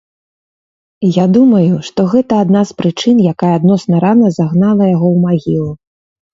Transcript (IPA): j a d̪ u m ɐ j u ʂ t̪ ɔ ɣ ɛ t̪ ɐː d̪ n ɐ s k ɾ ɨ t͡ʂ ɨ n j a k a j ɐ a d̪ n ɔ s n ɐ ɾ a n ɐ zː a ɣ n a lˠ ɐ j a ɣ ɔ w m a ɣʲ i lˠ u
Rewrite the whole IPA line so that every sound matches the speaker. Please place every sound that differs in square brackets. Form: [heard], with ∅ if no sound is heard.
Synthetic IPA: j a d̪ u m ɐ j u ʂ t̪ ɔ ɣ ɛ t̪ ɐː d̪ n [a] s [p] ɾ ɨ t͡ʂ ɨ n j a k a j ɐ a d̪ n ɔ s n ɐ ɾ a n ɐ [z] a ɣ n a lˠ ɐ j a ɣ ɔ w m a ɣʲ i lˠ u